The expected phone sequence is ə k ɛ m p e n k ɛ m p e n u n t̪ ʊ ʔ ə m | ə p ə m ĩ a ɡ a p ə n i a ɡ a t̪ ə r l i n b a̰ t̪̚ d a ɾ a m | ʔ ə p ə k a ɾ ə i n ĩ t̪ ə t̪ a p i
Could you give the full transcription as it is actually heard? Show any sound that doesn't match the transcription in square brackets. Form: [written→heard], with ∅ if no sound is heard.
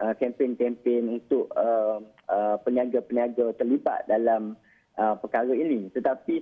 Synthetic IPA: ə k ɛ m p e n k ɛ m p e n u n t̪ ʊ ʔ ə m | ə p ə [m→n] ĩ a ɡ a p ə n i a ɡ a t̪ ə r l i [n→∅] b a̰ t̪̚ d a [ɾ→l] a m | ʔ ə p ə k a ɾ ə i n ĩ t̪ ə t̪ a p i